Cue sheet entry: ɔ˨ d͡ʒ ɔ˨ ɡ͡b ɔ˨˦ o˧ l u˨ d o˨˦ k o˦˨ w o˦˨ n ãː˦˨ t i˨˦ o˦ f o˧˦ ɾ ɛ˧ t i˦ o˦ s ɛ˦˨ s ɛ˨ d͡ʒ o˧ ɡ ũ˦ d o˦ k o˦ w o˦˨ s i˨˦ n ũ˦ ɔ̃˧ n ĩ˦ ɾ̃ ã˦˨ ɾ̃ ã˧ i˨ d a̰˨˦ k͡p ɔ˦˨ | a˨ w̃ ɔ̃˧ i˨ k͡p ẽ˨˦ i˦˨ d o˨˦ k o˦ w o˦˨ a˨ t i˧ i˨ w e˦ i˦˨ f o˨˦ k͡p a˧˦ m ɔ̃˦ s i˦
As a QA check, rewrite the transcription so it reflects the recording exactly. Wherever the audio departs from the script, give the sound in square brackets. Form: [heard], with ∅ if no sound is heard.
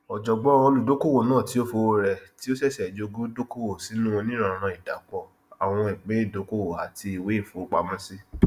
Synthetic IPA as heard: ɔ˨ d͡ʒ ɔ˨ ɡ͡b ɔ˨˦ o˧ l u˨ d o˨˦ k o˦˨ w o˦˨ n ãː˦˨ t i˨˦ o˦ f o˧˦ ɾ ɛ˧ t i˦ o˦ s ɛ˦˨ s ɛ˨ d͡ʒ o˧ ɡ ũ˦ d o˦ k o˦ w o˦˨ s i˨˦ n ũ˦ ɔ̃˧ n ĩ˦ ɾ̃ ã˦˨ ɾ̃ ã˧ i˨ d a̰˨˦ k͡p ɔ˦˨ | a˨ w̃ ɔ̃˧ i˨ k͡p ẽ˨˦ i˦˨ d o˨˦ k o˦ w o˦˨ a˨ t i˧ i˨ w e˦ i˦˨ f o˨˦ k͡p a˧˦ m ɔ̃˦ s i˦